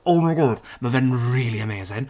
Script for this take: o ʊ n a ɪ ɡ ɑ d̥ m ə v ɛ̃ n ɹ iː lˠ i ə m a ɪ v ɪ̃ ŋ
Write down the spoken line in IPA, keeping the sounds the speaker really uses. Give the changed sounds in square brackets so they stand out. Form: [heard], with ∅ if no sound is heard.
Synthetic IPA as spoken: o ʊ [m] a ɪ ɡ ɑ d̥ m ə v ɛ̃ n ɹ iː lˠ i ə m [e] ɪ [z] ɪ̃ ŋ